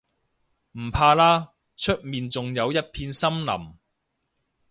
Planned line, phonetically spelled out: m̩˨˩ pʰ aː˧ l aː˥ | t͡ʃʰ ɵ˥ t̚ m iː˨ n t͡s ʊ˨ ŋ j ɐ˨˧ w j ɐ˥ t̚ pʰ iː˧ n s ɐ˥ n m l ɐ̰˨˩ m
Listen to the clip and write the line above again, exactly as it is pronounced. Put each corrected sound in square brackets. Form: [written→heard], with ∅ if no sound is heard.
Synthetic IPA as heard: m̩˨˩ pʰ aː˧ l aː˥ | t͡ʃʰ ɵ˥ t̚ m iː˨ n t͡s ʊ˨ ŋ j ɐ˨˧ w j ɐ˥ t̚ pʰ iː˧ n s ɐ˥ [n→∅] m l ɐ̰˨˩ m